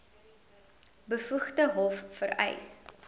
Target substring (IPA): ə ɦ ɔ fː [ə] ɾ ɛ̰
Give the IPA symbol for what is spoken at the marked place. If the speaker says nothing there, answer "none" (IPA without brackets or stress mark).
ə